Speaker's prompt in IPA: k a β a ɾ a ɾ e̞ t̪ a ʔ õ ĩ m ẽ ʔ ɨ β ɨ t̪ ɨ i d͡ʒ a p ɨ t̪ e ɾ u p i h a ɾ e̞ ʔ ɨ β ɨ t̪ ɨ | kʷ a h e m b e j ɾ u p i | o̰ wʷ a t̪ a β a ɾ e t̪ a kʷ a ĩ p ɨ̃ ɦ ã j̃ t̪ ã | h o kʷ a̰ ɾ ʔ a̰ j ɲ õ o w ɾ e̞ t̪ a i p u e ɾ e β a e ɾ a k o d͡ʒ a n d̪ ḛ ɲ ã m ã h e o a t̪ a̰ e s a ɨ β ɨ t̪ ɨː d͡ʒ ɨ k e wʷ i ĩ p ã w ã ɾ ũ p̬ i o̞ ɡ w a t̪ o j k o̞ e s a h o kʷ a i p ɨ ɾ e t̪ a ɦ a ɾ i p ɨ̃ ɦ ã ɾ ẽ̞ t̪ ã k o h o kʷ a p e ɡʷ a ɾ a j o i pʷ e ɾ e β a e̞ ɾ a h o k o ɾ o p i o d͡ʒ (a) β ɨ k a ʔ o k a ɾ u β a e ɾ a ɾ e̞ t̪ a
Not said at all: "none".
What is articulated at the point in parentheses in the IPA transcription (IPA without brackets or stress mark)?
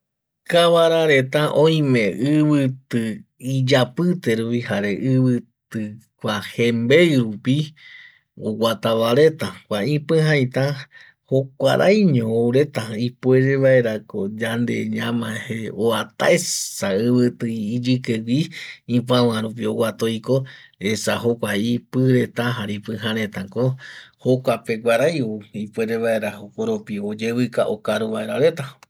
e